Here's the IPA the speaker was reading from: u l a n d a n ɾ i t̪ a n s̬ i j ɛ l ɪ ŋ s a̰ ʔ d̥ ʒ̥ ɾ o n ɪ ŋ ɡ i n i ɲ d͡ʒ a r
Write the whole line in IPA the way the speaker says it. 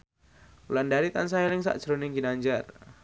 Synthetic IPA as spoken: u l a n d a ɾ i t̪ a n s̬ a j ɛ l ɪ ŋ s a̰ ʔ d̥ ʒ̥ ɾ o n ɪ ŋ ɡ i n a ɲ d͡ʒ a r